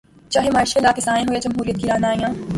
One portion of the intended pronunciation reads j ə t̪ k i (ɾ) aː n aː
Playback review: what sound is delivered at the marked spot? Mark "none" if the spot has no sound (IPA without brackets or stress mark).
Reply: ɾ